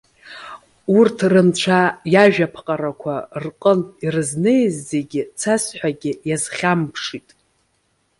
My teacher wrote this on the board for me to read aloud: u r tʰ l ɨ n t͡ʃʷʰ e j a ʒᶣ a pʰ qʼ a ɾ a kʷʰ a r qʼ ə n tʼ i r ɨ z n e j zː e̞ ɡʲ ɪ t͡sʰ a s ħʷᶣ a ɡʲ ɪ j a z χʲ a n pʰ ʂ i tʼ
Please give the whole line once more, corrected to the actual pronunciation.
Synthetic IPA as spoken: u r tʰ r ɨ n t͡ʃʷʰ a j a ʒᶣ a pʰ qʼ a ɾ a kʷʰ a r qʼ ə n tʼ i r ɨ z n e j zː e̞ ɡʲ ɪ t͡sʰ a s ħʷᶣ a ɡʲ ɪ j a z χʲ a m pʰ ʂ i tʼ